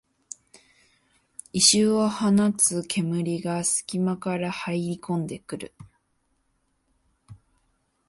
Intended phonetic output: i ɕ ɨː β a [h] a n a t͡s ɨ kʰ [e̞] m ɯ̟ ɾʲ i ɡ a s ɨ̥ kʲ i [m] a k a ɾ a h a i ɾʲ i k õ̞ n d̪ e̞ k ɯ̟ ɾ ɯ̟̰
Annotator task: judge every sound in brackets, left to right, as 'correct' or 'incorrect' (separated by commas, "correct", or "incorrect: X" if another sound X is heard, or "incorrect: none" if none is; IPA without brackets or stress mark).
correct, correct, correct